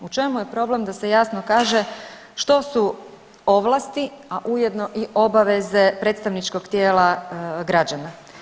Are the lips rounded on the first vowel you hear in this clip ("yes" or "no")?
yes